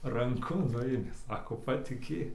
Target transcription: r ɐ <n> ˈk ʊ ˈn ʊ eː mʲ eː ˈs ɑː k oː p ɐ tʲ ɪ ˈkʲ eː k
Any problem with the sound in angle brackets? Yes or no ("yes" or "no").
yes